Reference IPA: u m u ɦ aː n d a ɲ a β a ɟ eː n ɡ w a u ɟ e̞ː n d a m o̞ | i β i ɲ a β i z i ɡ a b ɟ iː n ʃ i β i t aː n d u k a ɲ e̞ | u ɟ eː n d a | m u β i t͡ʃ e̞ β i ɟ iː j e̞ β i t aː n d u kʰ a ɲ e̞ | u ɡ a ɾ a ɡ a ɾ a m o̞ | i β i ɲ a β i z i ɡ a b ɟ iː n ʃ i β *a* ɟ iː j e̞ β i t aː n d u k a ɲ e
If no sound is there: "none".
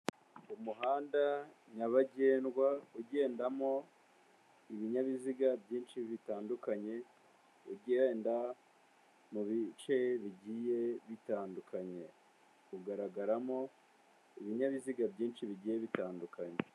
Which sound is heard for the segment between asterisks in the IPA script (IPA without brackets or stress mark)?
i